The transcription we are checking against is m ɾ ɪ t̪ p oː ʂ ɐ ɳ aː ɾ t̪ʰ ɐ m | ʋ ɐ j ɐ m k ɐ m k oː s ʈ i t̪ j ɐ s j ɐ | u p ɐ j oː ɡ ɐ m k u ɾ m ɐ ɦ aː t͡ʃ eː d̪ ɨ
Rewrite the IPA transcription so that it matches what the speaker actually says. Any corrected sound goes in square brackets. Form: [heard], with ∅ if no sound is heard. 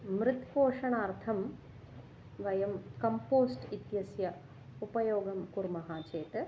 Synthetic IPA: m ɾ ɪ t̪ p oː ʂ ɐ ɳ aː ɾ t̪ʰ ɐ m | ʋ ɐ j ɐ m k ɐ m [p] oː s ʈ i t̪ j ɐ s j ɐ | u p ɐ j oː ɡ ɐ m k u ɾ m ɐ ɦ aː t͡ʃ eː [t̪] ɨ